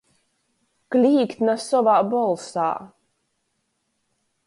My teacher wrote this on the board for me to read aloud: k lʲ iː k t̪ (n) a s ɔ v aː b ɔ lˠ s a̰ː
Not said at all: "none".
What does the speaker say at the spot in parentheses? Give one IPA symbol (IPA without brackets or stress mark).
n